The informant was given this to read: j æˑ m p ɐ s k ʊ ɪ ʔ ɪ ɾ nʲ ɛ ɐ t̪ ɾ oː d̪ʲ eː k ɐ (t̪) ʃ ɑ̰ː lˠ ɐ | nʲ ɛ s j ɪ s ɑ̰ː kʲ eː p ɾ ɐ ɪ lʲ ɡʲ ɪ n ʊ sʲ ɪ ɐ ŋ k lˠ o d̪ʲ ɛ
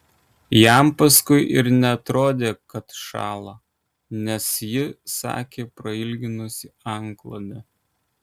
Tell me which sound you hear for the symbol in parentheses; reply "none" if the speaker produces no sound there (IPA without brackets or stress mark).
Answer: t̪